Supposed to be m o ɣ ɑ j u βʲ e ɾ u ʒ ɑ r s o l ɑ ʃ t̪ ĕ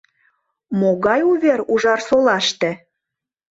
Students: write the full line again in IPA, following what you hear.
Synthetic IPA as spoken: m o ɣ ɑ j u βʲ e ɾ u ʒ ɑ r s o l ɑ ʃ t̪ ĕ